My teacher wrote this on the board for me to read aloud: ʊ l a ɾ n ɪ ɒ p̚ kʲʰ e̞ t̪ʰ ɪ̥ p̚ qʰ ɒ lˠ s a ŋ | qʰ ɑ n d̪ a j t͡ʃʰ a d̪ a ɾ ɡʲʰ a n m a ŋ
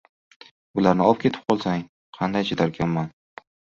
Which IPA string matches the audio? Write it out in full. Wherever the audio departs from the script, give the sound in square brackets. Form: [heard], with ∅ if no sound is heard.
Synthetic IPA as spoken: ʊ l a ɾ n ɪ ɒ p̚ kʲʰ e̞ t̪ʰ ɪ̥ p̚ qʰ ɒ lˠ s a ŋ | qʰ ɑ n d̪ a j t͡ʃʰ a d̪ a ɾ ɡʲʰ a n m a [n]